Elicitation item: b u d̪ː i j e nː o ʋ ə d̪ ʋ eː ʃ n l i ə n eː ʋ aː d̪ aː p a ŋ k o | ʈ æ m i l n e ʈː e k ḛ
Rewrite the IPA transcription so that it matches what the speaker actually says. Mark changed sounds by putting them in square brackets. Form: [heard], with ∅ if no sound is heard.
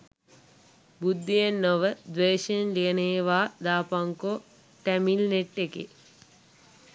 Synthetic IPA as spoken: b u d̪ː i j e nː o ʋ ə d̪ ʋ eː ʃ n l i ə n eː ʋ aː d̪ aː p a ŋ k o | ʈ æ m i l n e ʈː e k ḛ